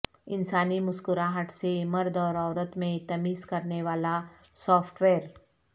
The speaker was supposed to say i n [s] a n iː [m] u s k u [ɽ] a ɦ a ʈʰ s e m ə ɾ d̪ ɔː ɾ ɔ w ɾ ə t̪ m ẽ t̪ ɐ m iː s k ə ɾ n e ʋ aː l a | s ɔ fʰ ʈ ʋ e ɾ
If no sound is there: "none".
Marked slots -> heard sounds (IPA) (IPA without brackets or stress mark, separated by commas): s, m, ɾ